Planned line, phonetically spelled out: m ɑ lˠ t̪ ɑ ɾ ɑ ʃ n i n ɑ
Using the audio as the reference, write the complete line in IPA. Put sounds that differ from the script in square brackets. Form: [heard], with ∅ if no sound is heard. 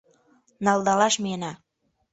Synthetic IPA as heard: [n] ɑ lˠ [d̪] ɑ [l] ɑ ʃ [m] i n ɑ

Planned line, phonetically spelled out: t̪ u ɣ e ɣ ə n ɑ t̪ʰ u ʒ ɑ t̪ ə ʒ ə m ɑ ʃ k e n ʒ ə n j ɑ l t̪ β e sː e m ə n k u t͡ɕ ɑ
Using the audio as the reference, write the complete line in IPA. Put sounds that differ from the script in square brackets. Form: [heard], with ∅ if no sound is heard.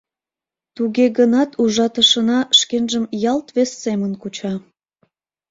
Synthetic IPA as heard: t̪ u ɣ e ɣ ə n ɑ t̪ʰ u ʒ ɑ t̪ ə [ʃ] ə [n] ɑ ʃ k e n ʒ ə [m] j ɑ l t̪ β e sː e m ə n k u t͡ɕ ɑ

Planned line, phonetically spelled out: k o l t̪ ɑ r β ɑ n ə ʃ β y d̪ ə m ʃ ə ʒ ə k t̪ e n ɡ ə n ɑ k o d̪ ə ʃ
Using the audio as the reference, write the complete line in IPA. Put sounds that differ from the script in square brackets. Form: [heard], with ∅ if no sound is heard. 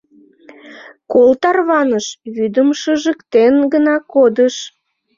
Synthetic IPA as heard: k o l t̪ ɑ r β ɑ n ə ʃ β y d̪ ə m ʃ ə ʒ ə k t̪ e n ɡ ə n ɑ k o d̪ ə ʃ

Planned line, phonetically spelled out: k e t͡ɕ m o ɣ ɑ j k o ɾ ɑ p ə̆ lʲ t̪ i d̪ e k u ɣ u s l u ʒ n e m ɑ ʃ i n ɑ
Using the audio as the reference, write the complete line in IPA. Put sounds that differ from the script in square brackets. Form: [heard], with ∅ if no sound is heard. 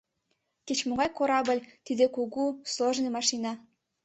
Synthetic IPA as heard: k e t͡ɕ m o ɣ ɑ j k o ɾ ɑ [b] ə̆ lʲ t̪ i d̪ e k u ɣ u s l [o] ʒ n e m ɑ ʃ i n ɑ

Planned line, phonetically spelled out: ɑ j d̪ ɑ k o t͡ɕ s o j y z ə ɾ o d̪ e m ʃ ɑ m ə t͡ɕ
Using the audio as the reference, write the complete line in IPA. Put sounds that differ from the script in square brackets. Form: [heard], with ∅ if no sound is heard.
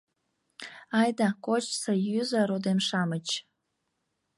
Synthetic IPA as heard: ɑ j d̪ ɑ k o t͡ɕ s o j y z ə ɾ o d̪ e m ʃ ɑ m ə t͡ɕ

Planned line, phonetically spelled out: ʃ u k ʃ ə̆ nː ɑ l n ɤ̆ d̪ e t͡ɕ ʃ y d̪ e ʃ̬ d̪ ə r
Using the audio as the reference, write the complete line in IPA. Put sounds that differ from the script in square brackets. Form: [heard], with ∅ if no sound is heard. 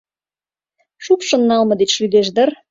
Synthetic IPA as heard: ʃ u k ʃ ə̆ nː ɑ l [m] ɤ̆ d̪ e t͡ɕ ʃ y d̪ e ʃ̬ d̪ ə r

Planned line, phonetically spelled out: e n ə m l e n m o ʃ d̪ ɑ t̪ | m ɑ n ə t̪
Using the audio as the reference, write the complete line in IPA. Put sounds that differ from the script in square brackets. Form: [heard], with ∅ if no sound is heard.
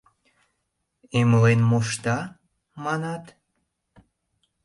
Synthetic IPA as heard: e [m] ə [∅] l e n m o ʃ [t̪] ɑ [∅] | m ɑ n [ɑ] t̪

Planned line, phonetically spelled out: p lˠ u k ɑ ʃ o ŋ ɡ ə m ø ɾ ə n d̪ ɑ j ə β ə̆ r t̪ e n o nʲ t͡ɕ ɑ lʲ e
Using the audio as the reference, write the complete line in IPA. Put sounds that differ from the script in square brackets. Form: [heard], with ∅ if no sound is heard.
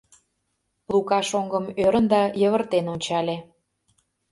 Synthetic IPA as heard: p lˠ u k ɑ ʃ o ŋ ɡ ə m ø ɾ ə n d̪ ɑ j ə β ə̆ r t̪ e n o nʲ t͡ɕ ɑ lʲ e

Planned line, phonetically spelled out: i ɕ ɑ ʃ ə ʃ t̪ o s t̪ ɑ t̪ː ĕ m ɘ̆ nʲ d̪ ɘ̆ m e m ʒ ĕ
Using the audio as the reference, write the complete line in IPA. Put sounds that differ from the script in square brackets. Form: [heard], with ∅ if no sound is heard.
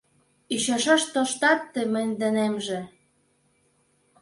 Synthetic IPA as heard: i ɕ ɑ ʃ [ɑ] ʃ t̪ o [ʃ] t̪ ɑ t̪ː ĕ m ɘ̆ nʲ d̪ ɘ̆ [n] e m ʒ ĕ

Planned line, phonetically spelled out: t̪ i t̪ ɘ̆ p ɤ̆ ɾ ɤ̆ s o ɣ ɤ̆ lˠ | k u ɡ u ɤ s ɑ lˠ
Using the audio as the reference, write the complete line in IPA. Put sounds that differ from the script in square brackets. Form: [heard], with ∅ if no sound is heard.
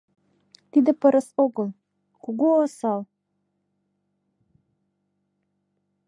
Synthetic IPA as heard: t̪ i [d̪] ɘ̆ p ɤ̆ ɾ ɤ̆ s o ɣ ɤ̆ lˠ | k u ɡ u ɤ s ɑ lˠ

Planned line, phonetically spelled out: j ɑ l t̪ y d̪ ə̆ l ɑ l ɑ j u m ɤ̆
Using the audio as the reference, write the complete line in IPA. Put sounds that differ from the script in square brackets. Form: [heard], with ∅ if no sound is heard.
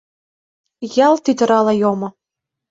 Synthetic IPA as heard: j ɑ l t̪ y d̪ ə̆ [ɾ] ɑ l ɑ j [o] m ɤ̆

